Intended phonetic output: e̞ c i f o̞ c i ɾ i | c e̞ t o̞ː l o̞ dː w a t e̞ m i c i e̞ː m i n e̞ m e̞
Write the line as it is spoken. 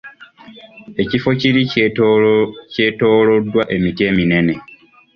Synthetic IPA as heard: e̞ c i f o̞ c i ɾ i | c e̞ t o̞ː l o̞ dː w a ʔ e̞ m i t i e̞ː m i n e̞ n e̞